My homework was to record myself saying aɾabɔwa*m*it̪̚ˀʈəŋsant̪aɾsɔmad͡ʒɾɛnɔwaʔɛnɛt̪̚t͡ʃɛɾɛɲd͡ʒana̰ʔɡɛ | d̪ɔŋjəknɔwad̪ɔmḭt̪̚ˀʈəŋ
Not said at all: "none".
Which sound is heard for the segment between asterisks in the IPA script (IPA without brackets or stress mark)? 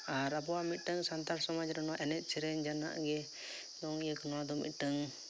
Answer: m